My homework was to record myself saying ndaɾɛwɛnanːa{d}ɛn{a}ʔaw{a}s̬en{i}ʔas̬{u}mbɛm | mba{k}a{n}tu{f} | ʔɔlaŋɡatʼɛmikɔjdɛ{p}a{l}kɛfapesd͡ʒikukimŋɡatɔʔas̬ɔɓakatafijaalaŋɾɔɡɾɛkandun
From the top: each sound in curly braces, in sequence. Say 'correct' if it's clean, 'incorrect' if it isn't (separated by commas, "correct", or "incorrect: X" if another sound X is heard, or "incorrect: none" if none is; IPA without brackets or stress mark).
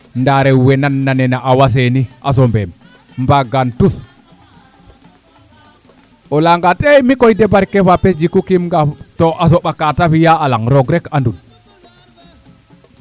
incorrect: n, correct, correct, correct, incorrect: ɔ, incorrect: ɡ, correct, incorrect: s, incorrect: b, incorrect: ɾ